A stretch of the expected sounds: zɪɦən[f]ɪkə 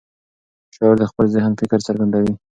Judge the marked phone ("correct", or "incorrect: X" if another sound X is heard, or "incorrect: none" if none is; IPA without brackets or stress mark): correct